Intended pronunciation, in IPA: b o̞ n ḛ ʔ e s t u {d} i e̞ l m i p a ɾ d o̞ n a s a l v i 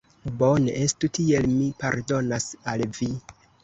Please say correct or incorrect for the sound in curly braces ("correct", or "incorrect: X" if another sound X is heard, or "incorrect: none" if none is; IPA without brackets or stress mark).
incorrect: t